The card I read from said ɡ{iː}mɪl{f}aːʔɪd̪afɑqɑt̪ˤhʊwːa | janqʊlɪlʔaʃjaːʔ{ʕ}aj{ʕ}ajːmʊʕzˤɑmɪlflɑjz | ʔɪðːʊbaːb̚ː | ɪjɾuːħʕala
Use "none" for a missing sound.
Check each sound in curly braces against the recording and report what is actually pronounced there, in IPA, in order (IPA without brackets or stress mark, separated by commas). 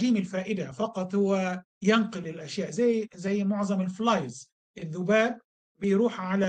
iː, f, z, z